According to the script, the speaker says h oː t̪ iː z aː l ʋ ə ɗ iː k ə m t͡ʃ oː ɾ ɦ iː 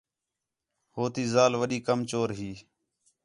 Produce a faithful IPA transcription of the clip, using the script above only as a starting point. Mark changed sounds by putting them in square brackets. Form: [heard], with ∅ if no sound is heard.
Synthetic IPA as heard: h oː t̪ iː z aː l ʋ ə ɗ iː k ə m t͡ʃ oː ɾ ɦ iː